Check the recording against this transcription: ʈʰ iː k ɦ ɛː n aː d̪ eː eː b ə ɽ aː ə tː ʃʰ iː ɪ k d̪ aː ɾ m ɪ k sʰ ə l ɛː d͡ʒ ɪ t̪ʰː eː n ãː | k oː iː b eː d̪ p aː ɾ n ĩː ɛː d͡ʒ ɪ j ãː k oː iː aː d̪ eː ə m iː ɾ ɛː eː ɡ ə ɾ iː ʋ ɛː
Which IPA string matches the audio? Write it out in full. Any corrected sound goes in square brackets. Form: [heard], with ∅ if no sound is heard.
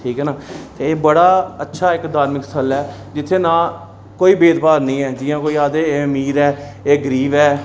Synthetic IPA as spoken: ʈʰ iː k ɦ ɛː n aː [t̪] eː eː b ə ɽ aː ə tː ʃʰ [aː] ɪ k d̪ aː ɾ m ɪ k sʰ ə l ɛː d͡ʒ ɪ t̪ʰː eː n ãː | k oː iː b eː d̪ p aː ɾ n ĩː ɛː d͡ʒ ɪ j ãː k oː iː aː d̪ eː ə m iː ɾ ɛː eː ɡ ə ɾ iː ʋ ɛː